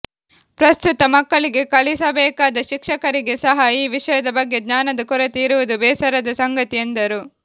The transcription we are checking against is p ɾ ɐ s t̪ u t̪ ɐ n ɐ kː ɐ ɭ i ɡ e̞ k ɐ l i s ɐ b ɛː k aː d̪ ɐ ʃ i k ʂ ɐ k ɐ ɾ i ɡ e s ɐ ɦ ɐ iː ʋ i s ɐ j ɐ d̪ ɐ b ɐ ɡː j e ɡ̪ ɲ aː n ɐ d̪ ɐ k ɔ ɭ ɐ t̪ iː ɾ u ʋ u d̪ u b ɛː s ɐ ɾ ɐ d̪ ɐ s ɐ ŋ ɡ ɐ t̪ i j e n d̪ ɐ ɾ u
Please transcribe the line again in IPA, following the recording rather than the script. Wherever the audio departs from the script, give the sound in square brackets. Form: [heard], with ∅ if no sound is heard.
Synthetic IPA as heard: p ɾ ɐ s t̪ u t̪ ɐ [m] ɐ kː ɐ ɭ i ɡ e̞ k ɐ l i s ɐ b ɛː k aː d̪ ɐ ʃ i k ʂ ɐ k ɐ ɾ i ɡ e s ɐ ɦ ɐ iː ʋ i [ʂ] ɐ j ɐ d̪ ɐ b ɐ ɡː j e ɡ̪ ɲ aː n ɐ d̪ ɐ k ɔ [ɾ] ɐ t̪ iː ɾ u ʋ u d̪ u b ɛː s ɐ ɾ ɐ d̪ ɐ s ɐ ŋ ɡ ɐ t̪ i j e n d̪ ɐ ɾ u